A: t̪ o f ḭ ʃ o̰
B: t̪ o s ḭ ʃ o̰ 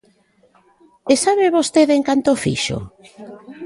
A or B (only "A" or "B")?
A